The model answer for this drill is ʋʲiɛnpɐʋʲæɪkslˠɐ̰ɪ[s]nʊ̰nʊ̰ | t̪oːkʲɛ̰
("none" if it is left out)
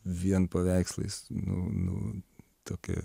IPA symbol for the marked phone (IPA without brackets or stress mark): s